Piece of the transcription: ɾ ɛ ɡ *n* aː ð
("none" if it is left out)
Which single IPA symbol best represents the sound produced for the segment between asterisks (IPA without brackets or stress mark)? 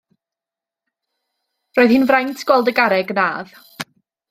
n